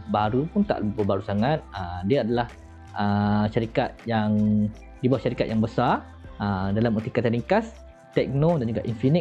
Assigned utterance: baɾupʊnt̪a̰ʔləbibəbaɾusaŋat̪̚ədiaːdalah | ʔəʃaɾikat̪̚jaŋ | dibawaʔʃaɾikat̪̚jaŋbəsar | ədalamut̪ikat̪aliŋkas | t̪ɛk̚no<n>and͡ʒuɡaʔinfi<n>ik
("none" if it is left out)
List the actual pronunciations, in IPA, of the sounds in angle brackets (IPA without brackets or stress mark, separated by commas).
d, n